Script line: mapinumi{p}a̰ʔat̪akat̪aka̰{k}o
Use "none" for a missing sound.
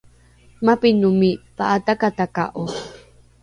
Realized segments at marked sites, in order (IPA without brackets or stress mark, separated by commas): p, ʔ